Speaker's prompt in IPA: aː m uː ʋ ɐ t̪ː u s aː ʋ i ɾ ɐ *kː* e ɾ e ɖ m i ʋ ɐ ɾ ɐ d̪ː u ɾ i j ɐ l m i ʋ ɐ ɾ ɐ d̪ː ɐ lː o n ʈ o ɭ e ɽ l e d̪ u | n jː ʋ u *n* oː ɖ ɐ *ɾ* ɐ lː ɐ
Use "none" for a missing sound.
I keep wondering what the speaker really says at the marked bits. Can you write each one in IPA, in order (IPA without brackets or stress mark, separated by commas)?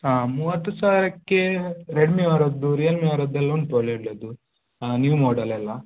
kː, m, l